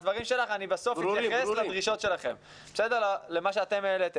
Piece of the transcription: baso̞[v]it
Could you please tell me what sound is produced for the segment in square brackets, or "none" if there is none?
f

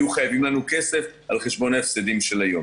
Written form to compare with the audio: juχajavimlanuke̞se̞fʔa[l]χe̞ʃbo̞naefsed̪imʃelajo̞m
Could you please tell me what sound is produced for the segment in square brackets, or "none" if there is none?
l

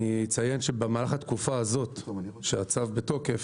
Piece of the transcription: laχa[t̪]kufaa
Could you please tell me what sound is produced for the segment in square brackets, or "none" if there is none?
t̪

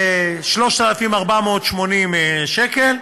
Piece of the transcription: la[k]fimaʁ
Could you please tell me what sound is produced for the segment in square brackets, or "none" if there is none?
none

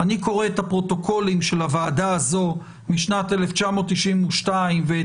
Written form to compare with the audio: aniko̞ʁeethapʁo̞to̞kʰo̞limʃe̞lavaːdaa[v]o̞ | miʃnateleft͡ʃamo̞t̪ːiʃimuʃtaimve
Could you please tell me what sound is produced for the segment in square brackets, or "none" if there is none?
z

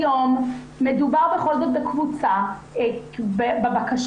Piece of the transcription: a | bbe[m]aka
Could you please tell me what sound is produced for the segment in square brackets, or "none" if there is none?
b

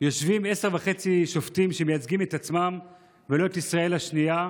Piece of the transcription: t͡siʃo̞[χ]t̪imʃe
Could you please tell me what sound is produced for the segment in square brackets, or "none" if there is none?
f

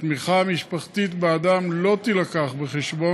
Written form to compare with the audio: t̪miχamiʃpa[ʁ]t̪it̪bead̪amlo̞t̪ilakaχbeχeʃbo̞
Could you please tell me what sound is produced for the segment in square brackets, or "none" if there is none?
χ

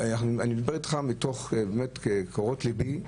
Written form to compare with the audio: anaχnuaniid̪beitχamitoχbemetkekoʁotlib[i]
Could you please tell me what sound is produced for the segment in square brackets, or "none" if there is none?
i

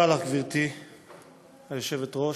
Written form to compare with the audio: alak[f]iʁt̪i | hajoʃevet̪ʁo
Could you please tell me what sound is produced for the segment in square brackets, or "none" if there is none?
v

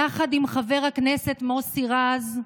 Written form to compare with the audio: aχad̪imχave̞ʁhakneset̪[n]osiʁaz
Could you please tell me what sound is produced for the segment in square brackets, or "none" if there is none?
m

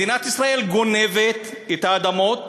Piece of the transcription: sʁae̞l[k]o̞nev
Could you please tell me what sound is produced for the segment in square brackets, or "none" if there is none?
ɡ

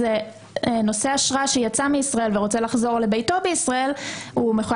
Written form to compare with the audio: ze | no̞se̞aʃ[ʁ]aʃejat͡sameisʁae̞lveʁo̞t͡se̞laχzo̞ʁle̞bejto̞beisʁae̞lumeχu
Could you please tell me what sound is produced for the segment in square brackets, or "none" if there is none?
ʁ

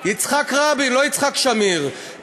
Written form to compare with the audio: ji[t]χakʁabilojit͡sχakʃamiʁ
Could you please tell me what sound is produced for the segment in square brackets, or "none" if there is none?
t͡s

